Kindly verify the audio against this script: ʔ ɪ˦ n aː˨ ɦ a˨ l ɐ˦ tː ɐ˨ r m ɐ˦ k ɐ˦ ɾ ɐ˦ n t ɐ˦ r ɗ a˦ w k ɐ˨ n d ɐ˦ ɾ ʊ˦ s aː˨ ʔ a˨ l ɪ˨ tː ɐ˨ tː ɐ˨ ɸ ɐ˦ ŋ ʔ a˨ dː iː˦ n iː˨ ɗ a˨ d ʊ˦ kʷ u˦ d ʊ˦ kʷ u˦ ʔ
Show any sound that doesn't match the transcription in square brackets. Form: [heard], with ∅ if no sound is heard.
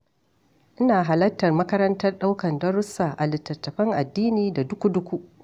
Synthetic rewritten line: ʔ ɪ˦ n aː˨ ɦ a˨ l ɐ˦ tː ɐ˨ r m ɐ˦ k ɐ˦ ɾ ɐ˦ n t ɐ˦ r ɗ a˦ w k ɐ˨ n d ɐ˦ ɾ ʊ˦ s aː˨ ʔ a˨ l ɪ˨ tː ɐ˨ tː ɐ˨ ɸ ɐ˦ ŋ ʔ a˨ dː iː˦ n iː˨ [d] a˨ d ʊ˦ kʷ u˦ d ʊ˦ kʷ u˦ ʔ